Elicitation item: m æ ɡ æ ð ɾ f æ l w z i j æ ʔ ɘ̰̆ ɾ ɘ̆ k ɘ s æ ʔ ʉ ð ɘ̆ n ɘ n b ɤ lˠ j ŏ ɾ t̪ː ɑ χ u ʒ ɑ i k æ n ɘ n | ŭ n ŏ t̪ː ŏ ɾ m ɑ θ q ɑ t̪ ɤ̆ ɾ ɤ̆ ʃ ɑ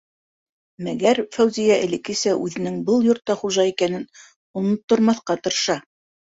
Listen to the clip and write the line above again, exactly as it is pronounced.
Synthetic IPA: m æ ɡ æ ɾ f æ w z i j æ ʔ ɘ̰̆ l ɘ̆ k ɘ s æ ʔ ʉ ð ɘ̆ n ɘ ŋ b ɤ lˠ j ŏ ɾ t̪ː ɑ χ u ʒ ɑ i k æ n ɘ n | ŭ n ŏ t̪ː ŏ ɾ m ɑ θ q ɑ t̪ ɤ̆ ɾ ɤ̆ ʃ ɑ